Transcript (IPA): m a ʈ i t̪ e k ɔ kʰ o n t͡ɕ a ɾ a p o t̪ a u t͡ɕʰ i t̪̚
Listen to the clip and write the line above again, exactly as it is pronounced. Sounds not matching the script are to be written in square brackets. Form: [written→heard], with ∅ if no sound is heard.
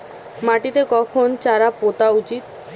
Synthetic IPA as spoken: m a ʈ i t̪ e k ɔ kʰ o n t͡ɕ a ɾ a p o t̪ a u [t͡ɕʰ→t͡ɕ] i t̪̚